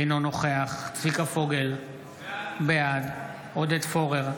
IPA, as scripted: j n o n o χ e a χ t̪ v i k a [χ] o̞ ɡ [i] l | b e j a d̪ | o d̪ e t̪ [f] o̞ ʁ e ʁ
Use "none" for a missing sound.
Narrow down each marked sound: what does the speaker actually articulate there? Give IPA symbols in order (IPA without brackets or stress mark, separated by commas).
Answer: f, e, f